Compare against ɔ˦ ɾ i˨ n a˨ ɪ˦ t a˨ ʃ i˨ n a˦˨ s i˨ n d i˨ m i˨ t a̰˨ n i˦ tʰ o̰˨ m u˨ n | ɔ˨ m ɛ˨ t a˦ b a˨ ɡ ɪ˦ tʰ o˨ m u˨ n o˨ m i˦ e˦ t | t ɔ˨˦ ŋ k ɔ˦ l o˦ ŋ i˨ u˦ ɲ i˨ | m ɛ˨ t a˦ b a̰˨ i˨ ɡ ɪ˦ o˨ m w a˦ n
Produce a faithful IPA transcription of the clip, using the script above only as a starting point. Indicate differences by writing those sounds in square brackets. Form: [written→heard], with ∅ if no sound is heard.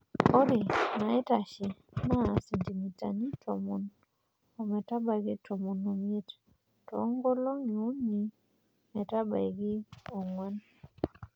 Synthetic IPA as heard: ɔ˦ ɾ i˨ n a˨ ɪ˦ t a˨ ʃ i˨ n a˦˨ s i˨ n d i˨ m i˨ t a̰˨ n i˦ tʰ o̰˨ m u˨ n | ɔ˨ m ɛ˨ t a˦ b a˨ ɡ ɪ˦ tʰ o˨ m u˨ n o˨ m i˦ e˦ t | t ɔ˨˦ ŋ [k→ɡ] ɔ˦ l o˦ ŋ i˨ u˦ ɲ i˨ | m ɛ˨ t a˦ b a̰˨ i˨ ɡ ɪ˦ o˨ [m→ŋ] w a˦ n